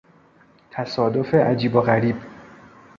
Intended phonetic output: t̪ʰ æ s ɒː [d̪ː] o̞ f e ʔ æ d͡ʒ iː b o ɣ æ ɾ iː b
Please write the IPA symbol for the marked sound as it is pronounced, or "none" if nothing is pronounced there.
d̪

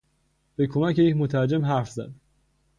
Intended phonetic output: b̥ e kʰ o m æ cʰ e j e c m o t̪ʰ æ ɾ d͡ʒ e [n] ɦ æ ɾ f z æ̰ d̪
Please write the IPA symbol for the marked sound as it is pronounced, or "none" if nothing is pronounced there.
m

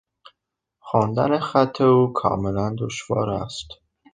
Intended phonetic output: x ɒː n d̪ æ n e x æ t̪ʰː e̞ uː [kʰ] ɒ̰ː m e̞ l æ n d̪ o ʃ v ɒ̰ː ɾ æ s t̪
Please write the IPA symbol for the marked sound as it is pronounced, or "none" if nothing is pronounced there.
kʰ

